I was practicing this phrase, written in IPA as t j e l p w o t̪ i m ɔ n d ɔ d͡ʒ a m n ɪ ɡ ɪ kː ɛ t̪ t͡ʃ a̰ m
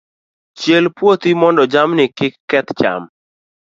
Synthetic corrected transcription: t͡ʃ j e l p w o t̪ i m ɔ n d ɔ d͡ʒ a m n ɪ k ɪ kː ɛ t̪ t͡ʃ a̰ m